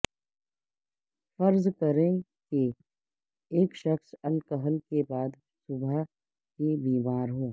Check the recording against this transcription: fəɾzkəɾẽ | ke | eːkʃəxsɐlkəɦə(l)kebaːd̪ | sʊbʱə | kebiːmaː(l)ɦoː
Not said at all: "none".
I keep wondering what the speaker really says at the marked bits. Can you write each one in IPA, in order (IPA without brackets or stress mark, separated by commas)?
l, ɾ